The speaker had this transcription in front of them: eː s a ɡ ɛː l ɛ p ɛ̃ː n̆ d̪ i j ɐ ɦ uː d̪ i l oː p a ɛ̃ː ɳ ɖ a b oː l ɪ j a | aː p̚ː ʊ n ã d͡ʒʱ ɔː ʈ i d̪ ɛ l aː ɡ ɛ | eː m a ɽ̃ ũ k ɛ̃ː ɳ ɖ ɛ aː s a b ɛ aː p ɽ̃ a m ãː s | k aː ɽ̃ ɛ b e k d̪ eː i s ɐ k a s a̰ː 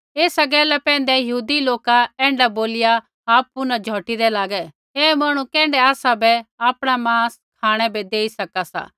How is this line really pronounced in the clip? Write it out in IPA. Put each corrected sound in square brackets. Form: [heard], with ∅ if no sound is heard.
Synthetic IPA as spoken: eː s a ɡ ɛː l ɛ p ɛ̃ː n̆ d̪ [ɛ] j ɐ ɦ uː d̪ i l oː [k] a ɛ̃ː ɳ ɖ a b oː l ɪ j a | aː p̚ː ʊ n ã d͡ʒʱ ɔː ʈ i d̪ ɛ l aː ɡ ɛ | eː m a ɽ̃ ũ k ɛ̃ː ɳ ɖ ɛ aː s a b ɛ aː p ɽ̃ a m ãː s | [kʰ] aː ɽ̃ ɛ b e [∅] d̪ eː i s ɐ k a s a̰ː